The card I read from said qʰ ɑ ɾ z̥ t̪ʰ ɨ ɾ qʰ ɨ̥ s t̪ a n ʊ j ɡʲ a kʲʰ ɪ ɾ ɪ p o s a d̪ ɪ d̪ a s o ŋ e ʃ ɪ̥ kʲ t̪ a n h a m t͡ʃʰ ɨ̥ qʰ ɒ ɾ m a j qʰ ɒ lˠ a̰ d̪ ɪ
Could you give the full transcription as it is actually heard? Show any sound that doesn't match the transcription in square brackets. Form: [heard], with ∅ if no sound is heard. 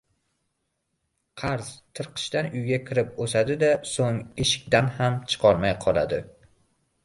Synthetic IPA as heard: qʰ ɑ ɾ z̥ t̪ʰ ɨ ɾ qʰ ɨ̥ [ʃ] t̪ a n ʊ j ɡʲ a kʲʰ ɪ ɾ ɪ p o s a d̪ ɪ d̪ a s o ŋ e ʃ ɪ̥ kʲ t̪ a n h a m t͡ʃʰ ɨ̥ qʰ ɒ ɾ m a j qʰ ɒ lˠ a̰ d̪ ɪ